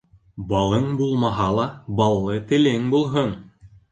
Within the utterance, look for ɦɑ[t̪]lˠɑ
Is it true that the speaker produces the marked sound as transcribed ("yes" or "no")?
no